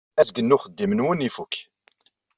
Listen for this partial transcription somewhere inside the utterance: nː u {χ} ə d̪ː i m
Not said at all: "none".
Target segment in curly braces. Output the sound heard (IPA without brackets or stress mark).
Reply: χ